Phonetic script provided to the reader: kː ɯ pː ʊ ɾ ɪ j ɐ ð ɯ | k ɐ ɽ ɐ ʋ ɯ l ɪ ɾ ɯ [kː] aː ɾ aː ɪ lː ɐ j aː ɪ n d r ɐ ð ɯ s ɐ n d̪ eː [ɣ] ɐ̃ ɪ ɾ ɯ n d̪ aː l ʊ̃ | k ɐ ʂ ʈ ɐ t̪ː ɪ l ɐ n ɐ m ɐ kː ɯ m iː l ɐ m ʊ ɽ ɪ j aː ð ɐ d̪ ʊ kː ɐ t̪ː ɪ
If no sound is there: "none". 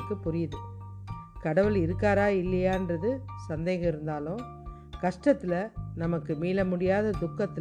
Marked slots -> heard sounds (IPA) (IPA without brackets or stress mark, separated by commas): kː, ɣ